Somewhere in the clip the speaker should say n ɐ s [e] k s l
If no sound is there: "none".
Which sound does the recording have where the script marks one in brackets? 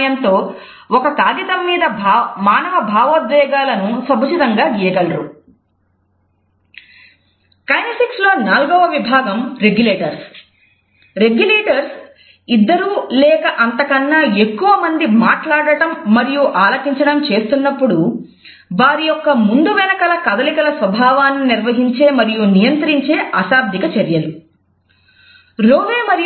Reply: i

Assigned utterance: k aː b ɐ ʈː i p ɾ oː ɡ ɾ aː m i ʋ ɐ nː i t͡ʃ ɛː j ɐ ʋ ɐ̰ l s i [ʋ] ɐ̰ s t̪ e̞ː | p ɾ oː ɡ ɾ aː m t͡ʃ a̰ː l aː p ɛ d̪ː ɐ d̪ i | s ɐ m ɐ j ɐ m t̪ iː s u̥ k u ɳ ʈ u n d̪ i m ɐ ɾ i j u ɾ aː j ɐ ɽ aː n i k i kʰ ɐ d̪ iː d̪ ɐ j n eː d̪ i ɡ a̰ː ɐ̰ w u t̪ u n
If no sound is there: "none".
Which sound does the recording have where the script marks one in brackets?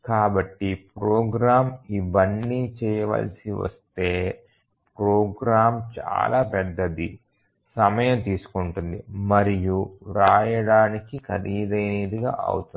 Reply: ʋ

